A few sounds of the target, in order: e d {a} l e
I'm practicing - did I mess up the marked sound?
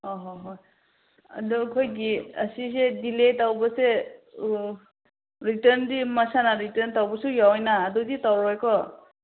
yes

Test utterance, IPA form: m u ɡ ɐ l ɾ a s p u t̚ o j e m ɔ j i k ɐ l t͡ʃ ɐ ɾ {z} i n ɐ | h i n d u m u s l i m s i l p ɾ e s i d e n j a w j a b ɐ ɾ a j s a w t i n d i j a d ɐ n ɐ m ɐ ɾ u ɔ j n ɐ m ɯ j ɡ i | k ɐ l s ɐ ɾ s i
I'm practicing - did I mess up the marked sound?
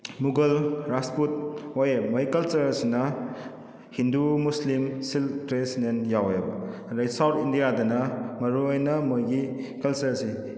yes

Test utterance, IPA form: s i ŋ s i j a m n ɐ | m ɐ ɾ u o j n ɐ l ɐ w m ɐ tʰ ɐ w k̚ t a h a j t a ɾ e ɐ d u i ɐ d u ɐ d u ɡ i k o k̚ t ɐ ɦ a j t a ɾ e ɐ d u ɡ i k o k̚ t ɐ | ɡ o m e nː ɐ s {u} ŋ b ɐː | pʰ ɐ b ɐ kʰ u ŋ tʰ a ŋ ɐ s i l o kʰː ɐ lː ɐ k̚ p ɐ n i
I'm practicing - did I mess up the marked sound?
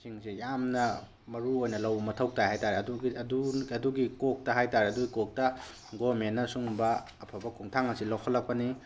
no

